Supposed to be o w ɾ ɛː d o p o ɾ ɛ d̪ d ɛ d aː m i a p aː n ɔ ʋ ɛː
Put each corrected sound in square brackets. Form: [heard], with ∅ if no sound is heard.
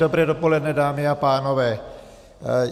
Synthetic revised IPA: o [b] ɾ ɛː d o p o [l] ɛ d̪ [n] ɛ d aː m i a p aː n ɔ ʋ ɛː